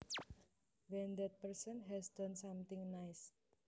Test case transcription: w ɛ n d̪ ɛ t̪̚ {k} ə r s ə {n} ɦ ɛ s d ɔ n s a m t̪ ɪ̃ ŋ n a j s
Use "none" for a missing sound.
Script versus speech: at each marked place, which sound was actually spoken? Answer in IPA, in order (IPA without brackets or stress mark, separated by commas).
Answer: p, n